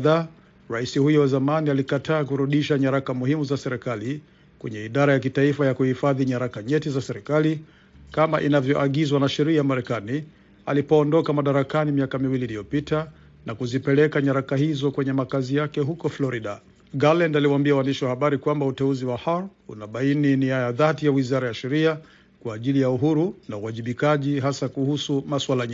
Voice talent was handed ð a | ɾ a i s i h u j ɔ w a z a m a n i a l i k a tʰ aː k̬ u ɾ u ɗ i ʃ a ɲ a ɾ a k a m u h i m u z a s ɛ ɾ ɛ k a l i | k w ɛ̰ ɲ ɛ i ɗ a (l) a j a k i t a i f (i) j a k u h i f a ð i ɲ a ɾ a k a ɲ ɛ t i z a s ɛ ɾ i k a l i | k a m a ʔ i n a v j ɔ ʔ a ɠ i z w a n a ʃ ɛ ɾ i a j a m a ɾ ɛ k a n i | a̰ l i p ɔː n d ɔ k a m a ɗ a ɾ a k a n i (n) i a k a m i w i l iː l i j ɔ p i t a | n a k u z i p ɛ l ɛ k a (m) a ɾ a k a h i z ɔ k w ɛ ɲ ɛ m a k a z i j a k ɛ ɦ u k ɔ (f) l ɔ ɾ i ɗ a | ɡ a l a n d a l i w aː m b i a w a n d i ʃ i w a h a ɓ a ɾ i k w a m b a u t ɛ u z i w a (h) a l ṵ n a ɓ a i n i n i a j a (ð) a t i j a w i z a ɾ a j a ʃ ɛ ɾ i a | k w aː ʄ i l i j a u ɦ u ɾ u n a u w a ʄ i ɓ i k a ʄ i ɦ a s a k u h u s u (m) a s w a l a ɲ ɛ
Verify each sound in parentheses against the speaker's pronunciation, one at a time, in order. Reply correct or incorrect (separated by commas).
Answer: incorrect, incorrect, incorrect, incorrect, correct, correct, correct, correct